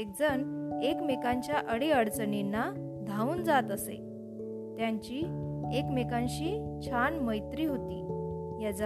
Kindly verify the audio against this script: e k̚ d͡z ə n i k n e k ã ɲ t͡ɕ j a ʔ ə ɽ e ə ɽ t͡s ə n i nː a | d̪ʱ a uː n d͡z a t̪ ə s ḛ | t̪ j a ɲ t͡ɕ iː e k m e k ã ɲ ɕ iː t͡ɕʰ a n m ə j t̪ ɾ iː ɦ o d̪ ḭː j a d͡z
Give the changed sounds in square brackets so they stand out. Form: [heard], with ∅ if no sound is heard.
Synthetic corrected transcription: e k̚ d͡z ə n [e] k [m] e k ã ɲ t͡ɕ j a ʔ ə ɽ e ə ɽ t͡s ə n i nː a | d̪ʱ a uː n d͡z a t̪ ə s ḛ | t̪ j a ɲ t͡ɕ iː e k m e k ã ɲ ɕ iː t͡ɕʰ a n m ə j t̪ ɾ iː ɦ o [t̪] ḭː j a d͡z